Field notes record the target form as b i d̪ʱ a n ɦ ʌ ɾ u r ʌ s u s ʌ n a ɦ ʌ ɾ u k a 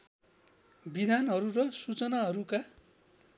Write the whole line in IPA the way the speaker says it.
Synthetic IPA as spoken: b i d̪ʱ a n ɦ ʌ ɾ u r ʌ s u t͡s ʌ n a ɦ ʌ ɾ u k a